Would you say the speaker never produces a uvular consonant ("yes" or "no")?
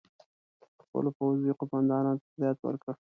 no